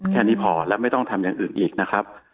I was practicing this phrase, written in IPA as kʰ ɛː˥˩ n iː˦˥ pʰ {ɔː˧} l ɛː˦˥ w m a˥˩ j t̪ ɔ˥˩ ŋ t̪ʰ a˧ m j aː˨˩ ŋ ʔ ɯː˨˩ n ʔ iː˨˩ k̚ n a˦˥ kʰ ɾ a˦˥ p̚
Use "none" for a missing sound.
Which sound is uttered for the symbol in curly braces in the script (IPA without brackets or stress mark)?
ɔː˩˦